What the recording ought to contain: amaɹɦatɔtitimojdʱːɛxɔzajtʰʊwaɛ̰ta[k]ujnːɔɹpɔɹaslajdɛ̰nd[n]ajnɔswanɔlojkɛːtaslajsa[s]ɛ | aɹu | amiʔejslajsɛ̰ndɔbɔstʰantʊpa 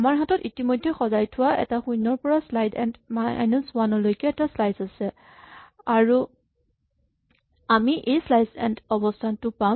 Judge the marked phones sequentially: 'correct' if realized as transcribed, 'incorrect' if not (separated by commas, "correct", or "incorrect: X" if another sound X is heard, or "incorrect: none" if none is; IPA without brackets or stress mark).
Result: incorrect: x, incorrect: m, correct